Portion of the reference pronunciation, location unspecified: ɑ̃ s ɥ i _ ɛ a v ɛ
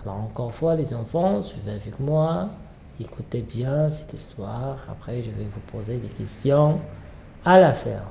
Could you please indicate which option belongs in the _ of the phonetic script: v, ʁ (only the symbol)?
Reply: v